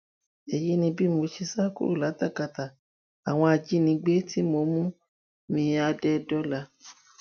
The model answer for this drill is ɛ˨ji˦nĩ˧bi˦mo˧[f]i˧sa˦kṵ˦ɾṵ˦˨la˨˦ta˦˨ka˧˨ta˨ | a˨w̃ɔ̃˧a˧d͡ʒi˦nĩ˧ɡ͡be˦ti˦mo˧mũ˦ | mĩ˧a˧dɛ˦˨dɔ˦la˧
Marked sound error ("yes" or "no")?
yes